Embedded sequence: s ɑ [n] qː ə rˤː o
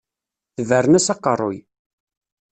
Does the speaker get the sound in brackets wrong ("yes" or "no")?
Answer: yes